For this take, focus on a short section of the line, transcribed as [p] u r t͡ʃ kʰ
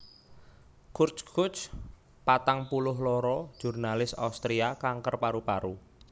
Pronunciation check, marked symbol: incorrect: k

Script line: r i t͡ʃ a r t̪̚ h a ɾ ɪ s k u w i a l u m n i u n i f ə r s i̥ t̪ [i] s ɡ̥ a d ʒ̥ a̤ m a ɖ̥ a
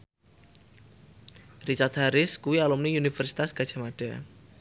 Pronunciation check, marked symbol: incorrect: a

